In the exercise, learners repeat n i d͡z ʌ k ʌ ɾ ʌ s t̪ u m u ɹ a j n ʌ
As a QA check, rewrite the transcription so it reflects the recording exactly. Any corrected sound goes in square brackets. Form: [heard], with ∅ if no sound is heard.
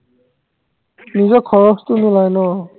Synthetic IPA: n i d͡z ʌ [kʰ] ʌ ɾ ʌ s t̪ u [n] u [l] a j n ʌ